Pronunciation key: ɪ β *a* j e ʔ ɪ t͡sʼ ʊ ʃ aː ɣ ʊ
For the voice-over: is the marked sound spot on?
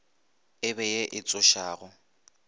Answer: no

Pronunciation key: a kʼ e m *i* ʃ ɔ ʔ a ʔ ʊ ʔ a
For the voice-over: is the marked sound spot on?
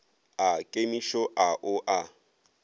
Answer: yes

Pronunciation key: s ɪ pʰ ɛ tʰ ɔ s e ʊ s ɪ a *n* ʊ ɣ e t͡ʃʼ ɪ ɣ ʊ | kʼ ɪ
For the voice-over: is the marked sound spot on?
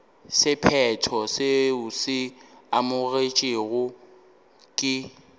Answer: no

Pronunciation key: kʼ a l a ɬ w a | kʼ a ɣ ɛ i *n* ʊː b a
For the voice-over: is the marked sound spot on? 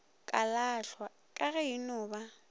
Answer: yes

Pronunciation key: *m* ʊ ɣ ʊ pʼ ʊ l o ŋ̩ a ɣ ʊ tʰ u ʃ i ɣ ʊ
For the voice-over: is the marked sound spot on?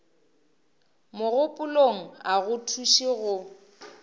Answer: yes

